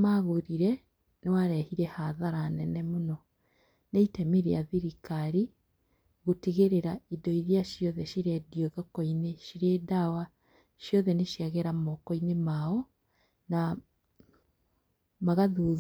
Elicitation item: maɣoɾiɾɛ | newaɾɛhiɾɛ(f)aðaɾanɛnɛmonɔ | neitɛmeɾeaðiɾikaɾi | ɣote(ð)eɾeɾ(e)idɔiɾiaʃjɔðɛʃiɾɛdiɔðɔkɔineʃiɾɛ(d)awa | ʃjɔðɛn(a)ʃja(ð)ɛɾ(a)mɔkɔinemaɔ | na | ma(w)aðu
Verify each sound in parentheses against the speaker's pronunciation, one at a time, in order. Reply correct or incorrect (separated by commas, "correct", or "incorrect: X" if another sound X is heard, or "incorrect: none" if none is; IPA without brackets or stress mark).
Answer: incorrect: h, incorrect: ɣ, incorrect: a, correct, incorrect: e, incorrect: ɣ, correct, incorrect: ɣ